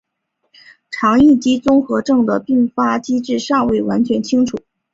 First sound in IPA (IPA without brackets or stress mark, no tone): ʈ͡ʂʰ